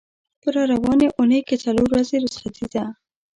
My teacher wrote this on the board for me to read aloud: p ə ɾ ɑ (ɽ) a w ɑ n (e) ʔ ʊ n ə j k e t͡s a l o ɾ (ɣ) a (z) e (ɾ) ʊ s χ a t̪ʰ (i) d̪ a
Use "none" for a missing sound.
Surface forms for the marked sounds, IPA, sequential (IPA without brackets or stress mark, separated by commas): ɾ, e, w, z, ɾ, i